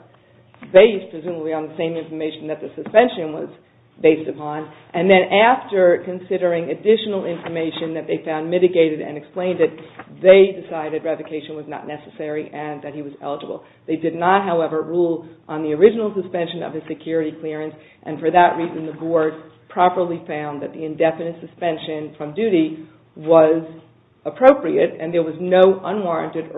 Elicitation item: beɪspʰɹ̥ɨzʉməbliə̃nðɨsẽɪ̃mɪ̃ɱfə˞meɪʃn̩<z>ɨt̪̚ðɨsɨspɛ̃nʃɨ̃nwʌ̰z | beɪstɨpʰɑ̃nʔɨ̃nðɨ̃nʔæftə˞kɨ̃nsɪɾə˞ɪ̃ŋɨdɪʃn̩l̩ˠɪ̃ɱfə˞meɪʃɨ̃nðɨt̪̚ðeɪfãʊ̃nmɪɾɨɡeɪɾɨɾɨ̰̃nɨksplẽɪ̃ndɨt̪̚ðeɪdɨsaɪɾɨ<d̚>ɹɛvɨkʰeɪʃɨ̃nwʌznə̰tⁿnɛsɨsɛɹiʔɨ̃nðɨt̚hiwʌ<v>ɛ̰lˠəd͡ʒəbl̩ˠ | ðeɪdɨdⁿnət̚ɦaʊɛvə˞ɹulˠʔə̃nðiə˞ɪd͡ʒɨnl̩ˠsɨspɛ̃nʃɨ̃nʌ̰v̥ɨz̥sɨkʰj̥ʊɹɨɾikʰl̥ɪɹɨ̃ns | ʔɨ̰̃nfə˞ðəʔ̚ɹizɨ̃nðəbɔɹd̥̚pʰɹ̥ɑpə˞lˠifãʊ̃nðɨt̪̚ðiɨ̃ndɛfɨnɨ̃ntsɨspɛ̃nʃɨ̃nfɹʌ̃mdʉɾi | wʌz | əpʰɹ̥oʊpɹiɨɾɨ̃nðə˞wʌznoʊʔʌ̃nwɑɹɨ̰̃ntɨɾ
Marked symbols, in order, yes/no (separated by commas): no, yes, no